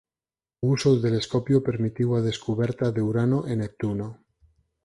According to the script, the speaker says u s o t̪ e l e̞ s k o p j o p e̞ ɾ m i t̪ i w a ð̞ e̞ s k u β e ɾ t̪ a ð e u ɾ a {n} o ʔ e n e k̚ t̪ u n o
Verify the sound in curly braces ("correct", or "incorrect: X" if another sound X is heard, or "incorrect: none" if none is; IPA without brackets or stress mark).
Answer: correct